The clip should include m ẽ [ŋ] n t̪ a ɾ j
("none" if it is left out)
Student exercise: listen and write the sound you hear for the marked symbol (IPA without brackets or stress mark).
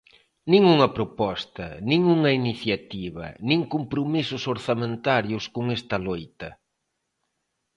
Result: none